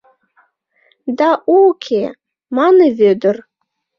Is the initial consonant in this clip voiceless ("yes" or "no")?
no